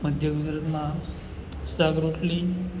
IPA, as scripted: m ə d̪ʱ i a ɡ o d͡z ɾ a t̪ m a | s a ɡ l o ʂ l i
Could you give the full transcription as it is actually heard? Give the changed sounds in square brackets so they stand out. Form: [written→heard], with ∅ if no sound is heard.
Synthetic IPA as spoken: m ə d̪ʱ [i→j] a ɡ [o→u] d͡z ɾ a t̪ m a | s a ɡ [l→ɾ] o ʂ l i